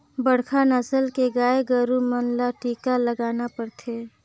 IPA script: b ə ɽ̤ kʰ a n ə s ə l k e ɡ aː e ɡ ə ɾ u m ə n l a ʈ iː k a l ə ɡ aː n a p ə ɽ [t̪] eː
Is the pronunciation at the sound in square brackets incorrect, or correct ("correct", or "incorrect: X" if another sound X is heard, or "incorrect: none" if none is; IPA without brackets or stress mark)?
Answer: incorrect: t̪ʰ